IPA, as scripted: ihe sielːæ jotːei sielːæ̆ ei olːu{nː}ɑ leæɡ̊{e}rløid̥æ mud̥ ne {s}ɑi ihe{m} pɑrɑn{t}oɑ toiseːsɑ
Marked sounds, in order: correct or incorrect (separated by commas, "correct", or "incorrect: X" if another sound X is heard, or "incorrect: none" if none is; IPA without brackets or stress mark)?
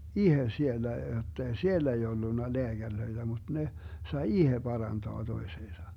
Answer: correct, incorrect: æ, correct, incorrect: none, correct